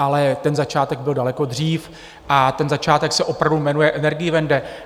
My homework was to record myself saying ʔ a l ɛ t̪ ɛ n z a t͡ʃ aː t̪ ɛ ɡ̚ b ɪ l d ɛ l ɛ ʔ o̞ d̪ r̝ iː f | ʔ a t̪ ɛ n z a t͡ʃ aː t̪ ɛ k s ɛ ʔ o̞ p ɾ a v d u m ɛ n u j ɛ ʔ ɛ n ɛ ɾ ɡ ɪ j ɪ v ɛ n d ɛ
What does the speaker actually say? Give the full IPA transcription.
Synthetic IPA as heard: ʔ a l ɛ t̪ ɛ n z a t͡ʃ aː t̪ ɛ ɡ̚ b ɪ l d a l ɛ k o̞ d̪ r̝ iː f | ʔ a t̪ ɛ n z a t͡ʃ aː t̪ ɛ k s ɛ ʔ o̞ p ɾ a v d u m ɛ n u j ɛ ʔ ɛ n ɛ ɾ ɡ ɪ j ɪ v ɛ n d ɛ